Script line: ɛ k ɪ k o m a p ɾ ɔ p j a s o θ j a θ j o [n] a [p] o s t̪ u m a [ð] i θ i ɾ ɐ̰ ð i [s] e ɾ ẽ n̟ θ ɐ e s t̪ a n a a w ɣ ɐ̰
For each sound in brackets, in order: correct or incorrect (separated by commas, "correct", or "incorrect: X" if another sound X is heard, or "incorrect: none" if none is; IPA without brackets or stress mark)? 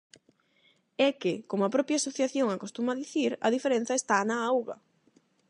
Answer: incorrect: ŋ, incorrect: k, correct, incorrect: f